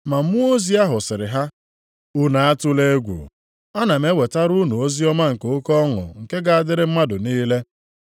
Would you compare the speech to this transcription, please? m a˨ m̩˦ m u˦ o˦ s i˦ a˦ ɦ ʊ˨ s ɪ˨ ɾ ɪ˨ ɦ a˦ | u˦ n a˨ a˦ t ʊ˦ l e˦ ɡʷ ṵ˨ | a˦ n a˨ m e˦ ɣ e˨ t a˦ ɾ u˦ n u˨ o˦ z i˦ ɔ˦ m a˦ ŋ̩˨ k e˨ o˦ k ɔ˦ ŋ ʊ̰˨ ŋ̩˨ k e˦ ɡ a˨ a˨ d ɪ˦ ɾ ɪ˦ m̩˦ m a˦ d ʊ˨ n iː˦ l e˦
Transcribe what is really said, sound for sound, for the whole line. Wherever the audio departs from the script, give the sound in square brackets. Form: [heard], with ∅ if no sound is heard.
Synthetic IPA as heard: m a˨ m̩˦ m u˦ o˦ [z] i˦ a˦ ɦ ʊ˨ s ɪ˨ ɾ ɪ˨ ɦ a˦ | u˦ n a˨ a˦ t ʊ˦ l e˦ ɡʷ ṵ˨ | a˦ n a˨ m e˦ [w] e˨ t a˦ ɾ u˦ n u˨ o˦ z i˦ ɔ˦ m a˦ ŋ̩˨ k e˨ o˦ k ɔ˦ ŋ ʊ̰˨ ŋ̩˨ k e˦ ɡ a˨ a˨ d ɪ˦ ɾ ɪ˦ m̩˦ m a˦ d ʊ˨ n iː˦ l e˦

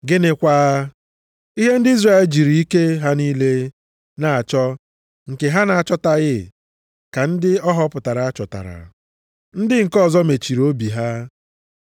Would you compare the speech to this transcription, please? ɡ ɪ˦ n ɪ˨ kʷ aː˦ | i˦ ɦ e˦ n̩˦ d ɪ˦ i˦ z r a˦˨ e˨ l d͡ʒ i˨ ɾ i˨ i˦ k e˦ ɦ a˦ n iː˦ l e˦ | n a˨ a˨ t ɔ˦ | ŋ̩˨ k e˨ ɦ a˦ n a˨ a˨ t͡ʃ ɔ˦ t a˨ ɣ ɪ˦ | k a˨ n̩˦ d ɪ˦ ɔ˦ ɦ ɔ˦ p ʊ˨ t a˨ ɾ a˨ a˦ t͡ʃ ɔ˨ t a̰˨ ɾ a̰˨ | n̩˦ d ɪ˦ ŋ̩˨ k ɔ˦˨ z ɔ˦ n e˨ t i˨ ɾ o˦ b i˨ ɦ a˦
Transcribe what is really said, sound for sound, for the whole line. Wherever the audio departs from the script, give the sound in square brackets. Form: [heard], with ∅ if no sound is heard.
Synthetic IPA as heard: ɡ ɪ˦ n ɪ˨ kʷ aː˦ | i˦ ɦ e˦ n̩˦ d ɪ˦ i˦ z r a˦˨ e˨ l d͡ʒ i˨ ɾ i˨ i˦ k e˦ ɦ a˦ n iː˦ l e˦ | n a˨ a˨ [t͡ʃ] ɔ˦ | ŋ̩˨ k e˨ ɦ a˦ n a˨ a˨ t͡ʃ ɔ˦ t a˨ ɣ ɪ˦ | k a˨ n̩˦ d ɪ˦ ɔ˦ ɦ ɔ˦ p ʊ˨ t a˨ ɾ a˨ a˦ t͡ʃ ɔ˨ t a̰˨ ɾ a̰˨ | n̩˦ d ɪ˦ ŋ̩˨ k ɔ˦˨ z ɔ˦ [m] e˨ [t͡ʃ] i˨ ɾ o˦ b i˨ ɦ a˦

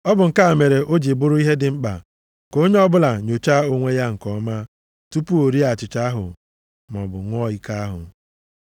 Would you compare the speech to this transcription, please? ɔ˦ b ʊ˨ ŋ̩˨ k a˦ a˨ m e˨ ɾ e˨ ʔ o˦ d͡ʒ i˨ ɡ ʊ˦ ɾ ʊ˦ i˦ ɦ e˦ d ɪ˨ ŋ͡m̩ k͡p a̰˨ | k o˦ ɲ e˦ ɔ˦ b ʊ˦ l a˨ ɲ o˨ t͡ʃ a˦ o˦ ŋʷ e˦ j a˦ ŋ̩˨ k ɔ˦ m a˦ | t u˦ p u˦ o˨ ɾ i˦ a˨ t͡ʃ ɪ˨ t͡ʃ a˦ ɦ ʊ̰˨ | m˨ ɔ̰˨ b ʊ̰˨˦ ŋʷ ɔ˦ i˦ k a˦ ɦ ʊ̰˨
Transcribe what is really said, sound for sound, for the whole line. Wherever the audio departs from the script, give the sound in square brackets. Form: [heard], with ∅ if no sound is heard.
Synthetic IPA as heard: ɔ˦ b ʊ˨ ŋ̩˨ k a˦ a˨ m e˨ ɾ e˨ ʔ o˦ d͡ʒ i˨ [b] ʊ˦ ɾ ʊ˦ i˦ ɦ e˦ d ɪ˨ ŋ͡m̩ k͡p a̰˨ | k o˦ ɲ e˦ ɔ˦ b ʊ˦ l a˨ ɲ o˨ t͡ʃ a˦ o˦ ŋʷ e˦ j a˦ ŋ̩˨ k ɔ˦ m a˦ | t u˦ p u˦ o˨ ɾ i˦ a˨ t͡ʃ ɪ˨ t͡ʃ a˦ ɦ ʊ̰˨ | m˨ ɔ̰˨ b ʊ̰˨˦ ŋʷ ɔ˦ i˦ k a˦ ɦ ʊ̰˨

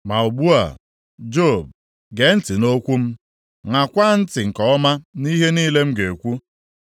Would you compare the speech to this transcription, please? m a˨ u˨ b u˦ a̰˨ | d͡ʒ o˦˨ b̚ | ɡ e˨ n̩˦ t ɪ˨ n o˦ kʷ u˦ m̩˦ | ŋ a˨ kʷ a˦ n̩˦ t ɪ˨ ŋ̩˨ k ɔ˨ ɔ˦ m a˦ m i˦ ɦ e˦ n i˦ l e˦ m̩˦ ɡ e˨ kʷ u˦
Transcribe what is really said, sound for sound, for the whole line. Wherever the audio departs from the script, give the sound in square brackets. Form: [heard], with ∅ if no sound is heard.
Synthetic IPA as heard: m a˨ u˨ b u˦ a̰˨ | d͡ʒ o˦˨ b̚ | ɡ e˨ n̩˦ t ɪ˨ n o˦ kʷ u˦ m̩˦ | ŋ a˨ kʷ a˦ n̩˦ t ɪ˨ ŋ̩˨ k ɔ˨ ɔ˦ m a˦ [n] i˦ ɦ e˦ n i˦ l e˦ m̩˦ ɡ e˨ kʷ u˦

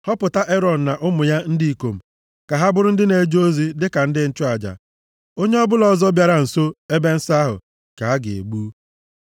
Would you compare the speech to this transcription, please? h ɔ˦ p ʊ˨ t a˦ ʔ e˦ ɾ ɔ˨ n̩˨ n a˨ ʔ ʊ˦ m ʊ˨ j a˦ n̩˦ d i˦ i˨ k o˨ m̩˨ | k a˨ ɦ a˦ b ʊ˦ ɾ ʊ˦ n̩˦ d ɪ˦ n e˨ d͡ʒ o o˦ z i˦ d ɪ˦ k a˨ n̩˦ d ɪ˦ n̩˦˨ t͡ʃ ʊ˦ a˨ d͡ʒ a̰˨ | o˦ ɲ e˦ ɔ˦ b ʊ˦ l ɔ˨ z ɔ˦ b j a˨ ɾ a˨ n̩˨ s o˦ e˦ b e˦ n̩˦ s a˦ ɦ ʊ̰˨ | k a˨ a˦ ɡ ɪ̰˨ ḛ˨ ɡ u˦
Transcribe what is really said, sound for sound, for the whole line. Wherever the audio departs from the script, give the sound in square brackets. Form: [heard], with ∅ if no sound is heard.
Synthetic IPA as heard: h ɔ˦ p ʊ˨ t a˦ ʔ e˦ ɾ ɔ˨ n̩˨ n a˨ ʔ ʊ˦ m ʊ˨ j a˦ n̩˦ d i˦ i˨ k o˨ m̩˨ | k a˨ ɦ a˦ b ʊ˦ ɾ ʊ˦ n̩˦ d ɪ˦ n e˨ d͡ʒ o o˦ z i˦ d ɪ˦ k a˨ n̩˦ d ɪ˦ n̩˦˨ t͡ʃ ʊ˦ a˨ d͡ʒ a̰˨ | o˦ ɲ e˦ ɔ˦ b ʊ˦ l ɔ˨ z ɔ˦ b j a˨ ɾ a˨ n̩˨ s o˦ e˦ b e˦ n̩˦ s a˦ ɦ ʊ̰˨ | k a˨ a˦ ɡ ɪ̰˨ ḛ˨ [ɡ͡b] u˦

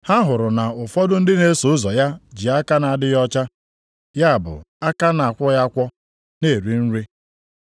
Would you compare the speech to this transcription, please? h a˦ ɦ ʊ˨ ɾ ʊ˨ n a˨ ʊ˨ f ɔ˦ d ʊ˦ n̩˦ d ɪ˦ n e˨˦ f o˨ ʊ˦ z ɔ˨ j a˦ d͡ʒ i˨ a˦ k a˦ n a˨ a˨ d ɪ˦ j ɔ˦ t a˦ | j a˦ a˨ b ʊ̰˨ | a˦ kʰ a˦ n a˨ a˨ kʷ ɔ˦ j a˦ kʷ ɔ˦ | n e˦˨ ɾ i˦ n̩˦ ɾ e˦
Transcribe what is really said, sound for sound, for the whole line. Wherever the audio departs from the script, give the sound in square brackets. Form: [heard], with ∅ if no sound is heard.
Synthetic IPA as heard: h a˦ ɦ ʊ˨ ɾ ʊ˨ n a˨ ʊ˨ f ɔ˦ d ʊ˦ n̩˦ d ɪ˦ n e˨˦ [s] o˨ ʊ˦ z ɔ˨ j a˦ d͡ʒ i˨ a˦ k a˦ n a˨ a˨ d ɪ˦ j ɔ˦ [t͡ʃ] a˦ | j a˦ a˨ b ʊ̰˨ | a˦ [k] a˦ n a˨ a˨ kʷ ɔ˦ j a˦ kʷ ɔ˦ | n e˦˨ ɾ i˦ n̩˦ ɾ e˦

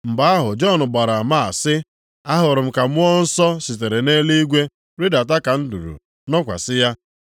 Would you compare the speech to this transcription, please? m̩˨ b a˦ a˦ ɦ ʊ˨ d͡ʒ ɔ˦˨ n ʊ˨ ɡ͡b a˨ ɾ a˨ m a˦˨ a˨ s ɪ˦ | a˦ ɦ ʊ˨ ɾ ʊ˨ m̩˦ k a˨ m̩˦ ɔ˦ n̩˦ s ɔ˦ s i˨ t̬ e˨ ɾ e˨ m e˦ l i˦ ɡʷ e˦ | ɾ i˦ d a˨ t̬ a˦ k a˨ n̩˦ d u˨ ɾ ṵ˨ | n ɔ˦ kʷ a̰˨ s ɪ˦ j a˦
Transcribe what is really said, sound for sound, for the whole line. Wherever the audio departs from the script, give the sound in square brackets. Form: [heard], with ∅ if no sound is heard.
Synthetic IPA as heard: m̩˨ b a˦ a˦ ɦ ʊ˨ d͡ʒ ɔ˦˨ n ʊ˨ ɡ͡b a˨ ɾ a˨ m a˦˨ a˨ s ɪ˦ | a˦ ɦ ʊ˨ ɾ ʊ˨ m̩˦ k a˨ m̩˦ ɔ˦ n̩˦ s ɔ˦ s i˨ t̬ e˨ ɾ e˨ [n] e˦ l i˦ ɡʷ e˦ | ɾ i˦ d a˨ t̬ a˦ k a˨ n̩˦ d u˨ ɾ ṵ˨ | n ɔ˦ kʷ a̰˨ s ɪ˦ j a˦

